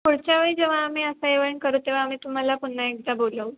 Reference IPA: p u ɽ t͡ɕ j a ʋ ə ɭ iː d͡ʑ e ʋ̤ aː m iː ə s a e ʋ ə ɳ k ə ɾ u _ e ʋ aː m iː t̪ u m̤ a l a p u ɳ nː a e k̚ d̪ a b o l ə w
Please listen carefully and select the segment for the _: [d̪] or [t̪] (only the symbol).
t̪